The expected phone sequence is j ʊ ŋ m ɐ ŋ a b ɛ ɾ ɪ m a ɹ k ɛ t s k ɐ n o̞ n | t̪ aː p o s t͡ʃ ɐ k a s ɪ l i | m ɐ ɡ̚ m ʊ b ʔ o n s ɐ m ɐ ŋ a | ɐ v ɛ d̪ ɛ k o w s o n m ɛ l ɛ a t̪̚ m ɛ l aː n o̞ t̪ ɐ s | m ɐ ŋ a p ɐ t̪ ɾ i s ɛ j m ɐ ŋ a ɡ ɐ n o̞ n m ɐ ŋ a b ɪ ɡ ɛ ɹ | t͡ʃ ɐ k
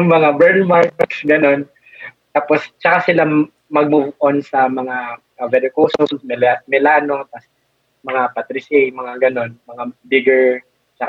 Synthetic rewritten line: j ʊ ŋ m ɐ ŋ a b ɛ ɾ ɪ m a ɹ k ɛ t s ɡ ɐ n o̞ n | t̪ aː p o s t͡ʃ ɐ k a s ɪ l a | m ɐ ɡ̚ m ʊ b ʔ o n s ɐ m ɐ ŋ a | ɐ v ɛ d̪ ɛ k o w s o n m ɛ l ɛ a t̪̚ m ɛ l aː n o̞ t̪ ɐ s | m ɐ ŋ a p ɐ t̪ ɾ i s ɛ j m ɐ ŋ a ɡ ɐ n o̞ n m ɐ ŋ a b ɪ ɡ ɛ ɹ | t͡ʃ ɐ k